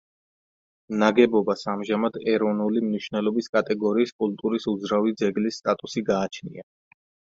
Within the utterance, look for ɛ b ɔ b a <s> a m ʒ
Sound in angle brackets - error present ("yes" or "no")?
no